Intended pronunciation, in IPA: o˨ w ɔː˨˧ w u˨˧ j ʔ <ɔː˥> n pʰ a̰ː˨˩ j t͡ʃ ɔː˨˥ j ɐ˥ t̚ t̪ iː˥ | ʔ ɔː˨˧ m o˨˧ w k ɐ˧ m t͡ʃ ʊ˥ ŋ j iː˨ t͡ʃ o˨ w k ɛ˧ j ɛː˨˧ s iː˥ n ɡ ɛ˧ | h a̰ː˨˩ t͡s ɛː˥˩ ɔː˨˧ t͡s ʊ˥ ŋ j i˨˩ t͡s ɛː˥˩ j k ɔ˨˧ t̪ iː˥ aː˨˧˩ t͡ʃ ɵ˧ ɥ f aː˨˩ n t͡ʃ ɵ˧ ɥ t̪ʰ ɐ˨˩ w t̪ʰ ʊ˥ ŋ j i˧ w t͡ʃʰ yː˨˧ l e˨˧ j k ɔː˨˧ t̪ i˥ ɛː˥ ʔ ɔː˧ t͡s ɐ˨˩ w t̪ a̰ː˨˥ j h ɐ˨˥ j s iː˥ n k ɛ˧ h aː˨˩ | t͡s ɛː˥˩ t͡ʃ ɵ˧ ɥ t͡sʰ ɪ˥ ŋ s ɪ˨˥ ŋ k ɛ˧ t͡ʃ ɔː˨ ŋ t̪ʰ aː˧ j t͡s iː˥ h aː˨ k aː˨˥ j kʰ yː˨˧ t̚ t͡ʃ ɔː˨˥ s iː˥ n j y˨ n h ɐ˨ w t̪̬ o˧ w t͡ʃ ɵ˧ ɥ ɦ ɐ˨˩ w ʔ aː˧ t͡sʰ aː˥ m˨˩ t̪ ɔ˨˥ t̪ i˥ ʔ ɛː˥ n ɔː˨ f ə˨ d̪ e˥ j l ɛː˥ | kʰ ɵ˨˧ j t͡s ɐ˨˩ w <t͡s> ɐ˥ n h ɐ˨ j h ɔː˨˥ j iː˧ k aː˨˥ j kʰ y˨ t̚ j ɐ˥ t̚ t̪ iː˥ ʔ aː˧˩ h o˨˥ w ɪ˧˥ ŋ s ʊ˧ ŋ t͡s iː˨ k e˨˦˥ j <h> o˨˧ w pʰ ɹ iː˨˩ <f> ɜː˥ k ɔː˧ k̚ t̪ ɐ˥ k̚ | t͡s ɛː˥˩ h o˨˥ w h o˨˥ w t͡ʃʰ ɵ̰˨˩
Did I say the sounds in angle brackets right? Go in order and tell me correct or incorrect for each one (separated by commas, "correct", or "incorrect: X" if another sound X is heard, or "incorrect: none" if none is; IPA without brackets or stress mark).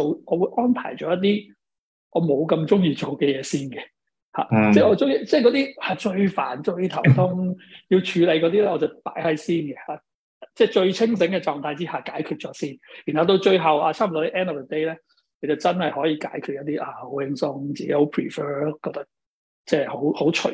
correct, correct, correct, correct